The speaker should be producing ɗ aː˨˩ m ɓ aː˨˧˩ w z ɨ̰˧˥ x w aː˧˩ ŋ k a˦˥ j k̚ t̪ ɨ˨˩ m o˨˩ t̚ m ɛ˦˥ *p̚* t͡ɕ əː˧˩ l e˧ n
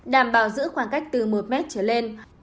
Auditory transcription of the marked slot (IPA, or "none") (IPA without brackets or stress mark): t̚